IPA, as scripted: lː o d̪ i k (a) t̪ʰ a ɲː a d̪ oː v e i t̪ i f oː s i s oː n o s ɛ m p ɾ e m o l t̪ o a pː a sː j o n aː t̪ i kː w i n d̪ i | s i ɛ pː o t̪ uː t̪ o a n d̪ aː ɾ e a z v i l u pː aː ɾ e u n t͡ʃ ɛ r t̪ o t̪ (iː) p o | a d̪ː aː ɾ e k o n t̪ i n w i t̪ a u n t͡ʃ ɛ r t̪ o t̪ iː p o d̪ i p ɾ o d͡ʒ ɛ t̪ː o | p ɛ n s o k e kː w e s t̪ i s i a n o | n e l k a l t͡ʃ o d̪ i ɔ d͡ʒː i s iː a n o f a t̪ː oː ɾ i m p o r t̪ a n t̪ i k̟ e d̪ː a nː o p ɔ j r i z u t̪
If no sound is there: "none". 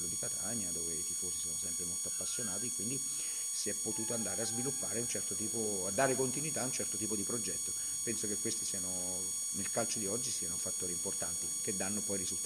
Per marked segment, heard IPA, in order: a, iː

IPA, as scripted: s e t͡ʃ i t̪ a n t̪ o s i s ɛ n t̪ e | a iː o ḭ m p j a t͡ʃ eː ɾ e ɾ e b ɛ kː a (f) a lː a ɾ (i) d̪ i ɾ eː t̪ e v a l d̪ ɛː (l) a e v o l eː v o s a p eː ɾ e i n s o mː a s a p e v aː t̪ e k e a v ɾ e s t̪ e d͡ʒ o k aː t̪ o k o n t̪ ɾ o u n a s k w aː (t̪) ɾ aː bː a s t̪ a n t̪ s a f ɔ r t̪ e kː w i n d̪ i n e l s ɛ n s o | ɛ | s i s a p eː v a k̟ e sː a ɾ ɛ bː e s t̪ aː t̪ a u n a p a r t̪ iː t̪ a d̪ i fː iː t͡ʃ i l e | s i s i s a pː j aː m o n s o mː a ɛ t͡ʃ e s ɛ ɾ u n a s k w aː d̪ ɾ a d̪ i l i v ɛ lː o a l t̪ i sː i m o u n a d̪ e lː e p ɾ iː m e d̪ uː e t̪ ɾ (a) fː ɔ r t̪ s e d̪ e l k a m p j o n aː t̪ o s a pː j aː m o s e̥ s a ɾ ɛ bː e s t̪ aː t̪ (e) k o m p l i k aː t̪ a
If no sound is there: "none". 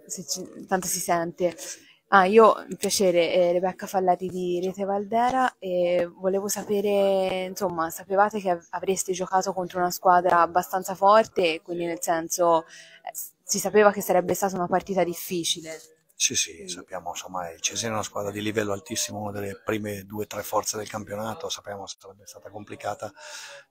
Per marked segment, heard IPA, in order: f, i, ɾ, d̪, ɛ, a

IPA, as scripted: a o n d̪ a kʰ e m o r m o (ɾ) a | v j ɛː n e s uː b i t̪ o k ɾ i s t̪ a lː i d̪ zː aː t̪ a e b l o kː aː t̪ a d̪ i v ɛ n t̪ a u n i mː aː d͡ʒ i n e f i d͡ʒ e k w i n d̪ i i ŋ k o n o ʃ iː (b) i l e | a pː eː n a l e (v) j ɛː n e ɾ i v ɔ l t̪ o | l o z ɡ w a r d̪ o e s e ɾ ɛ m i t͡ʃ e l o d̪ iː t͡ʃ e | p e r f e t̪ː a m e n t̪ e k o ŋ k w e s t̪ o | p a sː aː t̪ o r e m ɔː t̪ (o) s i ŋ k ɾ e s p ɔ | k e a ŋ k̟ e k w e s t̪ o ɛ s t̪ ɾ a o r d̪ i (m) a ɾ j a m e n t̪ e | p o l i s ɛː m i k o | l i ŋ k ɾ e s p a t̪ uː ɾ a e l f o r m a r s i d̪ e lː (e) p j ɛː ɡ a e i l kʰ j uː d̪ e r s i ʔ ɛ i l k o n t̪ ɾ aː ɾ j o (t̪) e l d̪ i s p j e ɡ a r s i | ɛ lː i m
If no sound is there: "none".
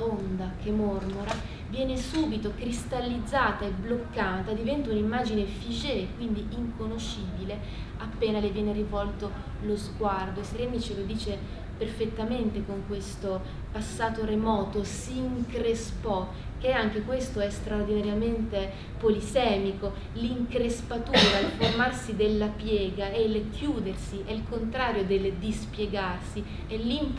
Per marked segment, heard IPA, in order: ɾ, b, v, o, n, a, d̪

